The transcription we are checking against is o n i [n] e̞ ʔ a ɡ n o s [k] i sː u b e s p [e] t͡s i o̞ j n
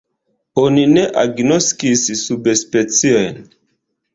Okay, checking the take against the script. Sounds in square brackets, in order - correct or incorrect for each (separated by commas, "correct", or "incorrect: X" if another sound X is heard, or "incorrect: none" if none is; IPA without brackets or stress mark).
correct, correct, correct